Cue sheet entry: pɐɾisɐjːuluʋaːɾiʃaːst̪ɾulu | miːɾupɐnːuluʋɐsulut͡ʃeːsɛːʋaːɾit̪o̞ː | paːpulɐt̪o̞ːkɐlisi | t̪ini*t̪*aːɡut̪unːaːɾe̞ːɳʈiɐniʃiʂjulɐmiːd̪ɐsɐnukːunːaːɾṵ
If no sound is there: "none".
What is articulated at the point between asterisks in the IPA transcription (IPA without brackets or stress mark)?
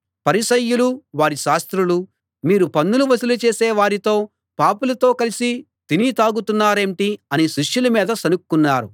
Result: t̪